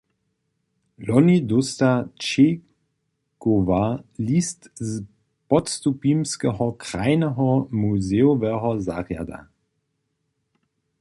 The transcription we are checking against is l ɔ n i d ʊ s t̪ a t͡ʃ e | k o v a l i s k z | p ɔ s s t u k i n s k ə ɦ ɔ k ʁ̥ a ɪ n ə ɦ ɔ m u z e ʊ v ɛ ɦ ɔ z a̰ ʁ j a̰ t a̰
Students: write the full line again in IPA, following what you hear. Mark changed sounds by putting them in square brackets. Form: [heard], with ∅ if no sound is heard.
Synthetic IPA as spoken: l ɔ n i d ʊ s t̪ a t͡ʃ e | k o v a l i s [t] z | p ɔ [t] s t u [p] i [m] s k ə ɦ ɔ k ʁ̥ a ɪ n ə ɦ ɔ m u z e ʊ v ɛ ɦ ɔ z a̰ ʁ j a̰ [d] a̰